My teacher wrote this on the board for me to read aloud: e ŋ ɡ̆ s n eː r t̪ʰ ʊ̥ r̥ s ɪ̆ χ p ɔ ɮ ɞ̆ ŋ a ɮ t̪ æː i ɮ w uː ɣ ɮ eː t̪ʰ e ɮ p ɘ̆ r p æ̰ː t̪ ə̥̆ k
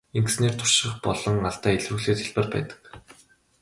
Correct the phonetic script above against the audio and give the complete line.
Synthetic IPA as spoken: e ŋ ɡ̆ s n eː r t̪ʰ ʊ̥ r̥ ʃ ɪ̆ χ p ɔ ɮ ɞ̆ ŋ a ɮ t̪ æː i ɮ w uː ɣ ɮ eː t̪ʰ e ɮ p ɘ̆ r p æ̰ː t̪ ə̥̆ k

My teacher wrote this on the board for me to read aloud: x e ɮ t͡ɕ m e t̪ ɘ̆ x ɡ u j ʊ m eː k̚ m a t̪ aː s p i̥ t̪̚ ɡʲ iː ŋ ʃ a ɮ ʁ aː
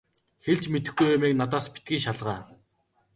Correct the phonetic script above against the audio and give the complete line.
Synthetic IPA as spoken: x e ɮ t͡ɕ m e t̪ ɘ̆ x ɡ u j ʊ m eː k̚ n a t̪ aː s p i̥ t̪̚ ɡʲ iː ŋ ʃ a ɮ ʁ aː

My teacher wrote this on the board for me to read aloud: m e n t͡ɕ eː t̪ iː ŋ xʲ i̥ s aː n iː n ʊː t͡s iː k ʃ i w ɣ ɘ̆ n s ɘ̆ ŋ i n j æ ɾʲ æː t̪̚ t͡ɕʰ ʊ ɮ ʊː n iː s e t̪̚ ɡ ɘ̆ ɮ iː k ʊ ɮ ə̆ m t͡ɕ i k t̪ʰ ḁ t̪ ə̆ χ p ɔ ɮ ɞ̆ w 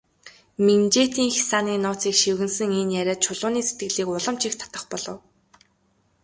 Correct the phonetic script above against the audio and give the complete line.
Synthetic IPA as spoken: m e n t͡ɕ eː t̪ iː ŋ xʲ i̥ s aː n iː n ʊː t͡s iː k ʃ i w ɣ ɘ̆ n s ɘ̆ ŋ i n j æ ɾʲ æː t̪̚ t͡ɕʰ ʊ ɮ ʊː n iː s e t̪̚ ɡ ɘ̆ ɮ iː k ʊ ɮ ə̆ m t͡ɕ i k t̪ʰ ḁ t̪ ə̆ χ p ɔ ɮ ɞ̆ w

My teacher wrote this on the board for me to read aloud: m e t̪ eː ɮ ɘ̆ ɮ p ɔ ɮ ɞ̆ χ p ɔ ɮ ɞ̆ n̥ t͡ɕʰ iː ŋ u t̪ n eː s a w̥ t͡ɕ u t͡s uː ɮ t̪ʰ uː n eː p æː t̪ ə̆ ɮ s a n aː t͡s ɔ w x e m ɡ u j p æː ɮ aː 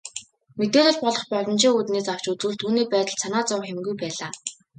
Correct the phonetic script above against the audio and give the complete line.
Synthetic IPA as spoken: m e t̪ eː ɮ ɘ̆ ɮ p ɔ ɮ ɞ̆ χ p ɔ ɮ ɞ̆ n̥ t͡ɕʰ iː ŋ u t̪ n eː s a w̥ t͡ɕ u t͡s uː ɮ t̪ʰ uː n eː p æː t̪ ə̆ ɮ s a n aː t͡s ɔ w x e m ɡ u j p æː ɮ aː

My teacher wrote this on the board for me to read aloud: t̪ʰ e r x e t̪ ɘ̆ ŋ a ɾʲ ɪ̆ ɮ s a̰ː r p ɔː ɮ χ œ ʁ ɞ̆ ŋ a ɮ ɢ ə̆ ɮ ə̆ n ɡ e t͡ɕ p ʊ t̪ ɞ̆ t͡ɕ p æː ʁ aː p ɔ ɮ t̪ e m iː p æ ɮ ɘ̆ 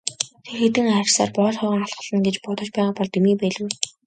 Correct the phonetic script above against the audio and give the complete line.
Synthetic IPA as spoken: t̪ʰ e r x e t̪ ɘ̆ ŋ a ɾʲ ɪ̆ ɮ s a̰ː r p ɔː ɮ χ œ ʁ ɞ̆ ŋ a ɮ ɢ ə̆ ɮ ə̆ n ɡ e t͡ɕ p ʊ t̪ ɞ̆ t͡ɕ p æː ʁ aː p ɔ ɮ t̪ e m iː p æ ɮ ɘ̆

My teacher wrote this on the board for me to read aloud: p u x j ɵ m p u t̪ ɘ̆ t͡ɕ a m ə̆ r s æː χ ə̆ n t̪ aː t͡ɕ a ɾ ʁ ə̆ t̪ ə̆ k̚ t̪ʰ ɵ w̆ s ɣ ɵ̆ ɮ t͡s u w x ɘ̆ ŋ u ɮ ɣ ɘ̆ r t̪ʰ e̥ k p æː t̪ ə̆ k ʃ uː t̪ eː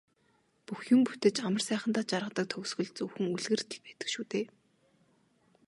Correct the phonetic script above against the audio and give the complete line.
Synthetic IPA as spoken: p u x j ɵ m p u t̪ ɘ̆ t͡ɕ a m ə̆ r s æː χ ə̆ n t̪ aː t͡ɕ a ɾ ʁ ə̆ t̪ ə̆ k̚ t̪ʰ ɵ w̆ s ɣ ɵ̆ ɮ t͡s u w x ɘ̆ ŋ u ɮ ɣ ɘ̆ r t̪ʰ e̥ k p æː t̪ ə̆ k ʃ uː t̪ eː

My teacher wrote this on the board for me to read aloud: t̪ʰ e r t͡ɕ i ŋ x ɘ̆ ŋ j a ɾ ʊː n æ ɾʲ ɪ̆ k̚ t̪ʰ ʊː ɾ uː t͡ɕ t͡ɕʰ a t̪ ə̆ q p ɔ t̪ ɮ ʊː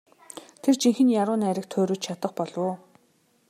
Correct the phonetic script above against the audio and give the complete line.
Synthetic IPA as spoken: t̪ʰ e r t͡ɕ i ŋ x ɘ̆ n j a ɾ ʊː n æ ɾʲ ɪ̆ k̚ t̪ʰ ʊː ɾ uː t͡ɕ t͡ɕʰ a t̪ ə̆ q p ɔ ɮ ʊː

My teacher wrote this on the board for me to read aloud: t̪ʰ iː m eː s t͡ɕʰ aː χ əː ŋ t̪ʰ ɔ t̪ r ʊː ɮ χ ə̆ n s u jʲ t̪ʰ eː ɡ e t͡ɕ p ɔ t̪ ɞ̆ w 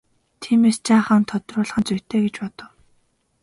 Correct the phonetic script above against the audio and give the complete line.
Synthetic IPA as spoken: t̪ʰ iː m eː s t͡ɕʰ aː χ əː n t̪ʰ ɔ t̪ r ʊː ɮ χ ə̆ n t͡s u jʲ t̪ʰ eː ɡ e t͡ɕ p ɔ t̪ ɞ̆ w

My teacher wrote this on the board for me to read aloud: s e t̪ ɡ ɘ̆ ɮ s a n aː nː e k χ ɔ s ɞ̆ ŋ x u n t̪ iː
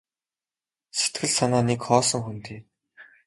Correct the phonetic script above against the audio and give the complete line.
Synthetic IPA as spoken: s e t̪ ɡ ɘ̆ ɮ s a n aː n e k χ ɔː s ɞ̆ ŋ x u n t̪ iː

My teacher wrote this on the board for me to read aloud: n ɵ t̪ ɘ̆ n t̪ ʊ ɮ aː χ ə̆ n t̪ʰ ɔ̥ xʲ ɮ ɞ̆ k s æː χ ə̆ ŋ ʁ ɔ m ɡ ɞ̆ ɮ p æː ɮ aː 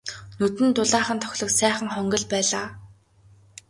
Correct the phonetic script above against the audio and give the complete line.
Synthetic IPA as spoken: n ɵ t̪ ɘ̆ n t̪ ʊ ɮ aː χ ə̆ n t̪ʰ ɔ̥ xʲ ɮ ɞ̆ k s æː χ ə̆ ŋ χ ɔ ŋ ɡ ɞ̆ ɮ p æː ɮ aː

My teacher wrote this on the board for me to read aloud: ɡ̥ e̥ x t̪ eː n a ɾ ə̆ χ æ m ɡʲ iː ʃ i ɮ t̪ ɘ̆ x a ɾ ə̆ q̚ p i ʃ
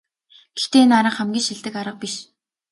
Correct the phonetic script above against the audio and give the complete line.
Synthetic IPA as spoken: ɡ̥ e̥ x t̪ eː n a ɾ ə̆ χ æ m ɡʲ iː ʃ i ɮ t̪ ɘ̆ k a ɾ ə̆ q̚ p i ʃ

